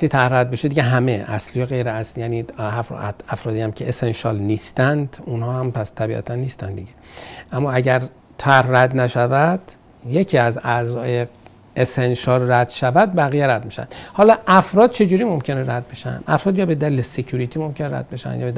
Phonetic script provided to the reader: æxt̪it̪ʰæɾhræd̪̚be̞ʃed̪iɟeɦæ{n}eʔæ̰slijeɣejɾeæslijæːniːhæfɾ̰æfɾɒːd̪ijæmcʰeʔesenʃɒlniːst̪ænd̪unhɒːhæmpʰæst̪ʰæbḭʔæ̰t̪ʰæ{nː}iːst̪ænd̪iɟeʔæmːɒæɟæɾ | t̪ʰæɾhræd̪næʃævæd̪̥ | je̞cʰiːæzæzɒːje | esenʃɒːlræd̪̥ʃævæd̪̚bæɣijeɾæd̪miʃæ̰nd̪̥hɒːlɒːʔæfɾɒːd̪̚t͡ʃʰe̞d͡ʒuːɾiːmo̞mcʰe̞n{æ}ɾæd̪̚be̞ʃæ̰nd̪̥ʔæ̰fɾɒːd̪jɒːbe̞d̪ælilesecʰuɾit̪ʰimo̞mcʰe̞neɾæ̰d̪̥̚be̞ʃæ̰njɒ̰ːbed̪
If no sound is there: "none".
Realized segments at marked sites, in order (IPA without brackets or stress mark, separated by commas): m, nː, e